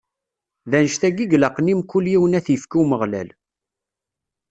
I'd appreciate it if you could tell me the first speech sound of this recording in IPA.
ð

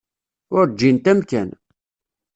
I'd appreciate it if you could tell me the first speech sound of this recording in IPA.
ʊ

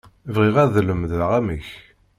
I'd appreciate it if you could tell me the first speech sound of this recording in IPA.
v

